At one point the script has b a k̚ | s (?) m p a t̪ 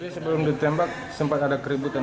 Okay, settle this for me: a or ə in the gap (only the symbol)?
ə